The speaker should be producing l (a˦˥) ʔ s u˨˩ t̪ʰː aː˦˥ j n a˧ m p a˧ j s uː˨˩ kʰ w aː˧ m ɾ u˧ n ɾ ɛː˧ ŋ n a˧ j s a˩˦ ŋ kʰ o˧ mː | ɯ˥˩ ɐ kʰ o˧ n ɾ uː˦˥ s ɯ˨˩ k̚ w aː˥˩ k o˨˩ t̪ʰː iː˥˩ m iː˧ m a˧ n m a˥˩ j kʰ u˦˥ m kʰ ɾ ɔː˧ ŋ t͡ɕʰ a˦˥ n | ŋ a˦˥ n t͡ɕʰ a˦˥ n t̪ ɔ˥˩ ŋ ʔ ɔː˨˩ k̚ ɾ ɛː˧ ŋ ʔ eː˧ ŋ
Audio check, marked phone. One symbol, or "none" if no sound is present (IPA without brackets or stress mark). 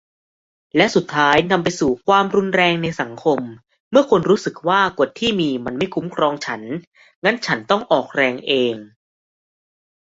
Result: ɛ˦˥